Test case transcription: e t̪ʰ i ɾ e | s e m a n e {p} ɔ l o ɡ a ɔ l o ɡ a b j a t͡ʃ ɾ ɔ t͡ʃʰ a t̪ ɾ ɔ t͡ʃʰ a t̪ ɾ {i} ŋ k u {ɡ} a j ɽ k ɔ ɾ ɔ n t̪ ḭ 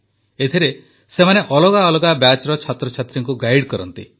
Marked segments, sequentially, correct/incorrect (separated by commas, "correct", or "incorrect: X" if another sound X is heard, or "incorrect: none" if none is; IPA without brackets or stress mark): incorrect: ʔ, correct, correct